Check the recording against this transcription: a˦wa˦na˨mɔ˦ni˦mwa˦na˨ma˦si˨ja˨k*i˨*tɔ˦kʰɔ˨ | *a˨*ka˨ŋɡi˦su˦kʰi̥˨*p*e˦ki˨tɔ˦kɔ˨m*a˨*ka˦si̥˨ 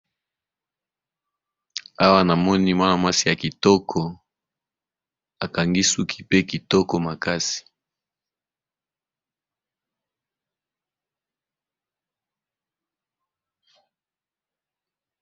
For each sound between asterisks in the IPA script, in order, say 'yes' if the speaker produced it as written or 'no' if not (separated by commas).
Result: yes, yes, yes, yes